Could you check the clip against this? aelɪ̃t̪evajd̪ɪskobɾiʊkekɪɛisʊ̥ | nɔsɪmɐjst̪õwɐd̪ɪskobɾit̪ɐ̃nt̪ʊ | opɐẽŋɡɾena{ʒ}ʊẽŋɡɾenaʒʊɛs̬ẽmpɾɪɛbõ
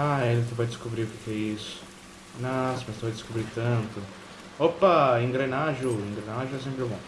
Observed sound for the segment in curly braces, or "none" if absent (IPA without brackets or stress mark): ʒ